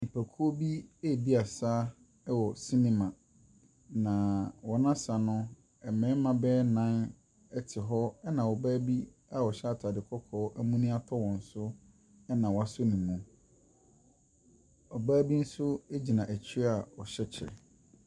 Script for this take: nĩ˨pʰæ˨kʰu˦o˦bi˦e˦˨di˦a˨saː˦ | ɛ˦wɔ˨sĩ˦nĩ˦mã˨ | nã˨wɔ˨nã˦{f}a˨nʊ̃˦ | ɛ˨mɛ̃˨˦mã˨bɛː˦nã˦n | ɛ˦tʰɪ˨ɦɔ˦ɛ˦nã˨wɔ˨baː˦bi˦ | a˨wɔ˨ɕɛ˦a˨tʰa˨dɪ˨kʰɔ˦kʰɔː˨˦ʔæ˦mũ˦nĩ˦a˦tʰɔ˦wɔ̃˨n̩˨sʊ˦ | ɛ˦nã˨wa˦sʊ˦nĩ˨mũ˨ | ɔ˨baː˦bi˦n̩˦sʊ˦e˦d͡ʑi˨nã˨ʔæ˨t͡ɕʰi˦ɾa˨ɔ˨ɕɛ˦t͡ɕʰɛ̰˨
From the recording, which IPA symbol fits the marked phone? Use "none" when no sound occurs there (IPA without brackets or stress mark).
s